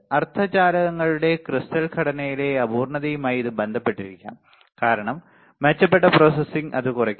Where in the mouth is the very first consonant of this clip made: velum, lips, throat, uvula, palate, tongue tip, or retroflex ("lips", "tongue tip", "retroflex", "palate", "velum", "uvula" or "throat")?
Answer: tongue tip